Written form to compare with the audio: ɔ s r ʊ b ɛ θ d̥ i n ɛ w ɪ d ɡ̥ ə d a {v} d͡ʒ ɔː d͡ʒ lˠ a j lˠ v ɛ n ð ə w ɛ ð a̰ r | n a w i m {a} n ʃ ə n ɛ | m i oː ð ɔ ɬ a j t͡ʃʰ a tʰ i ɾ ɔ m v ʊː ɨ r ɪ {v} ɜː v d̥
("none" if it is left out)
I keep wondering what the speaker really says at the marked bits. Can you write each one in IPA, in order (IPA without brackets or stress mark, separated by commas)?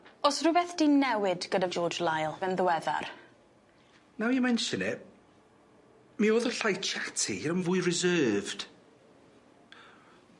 v, ɛ, z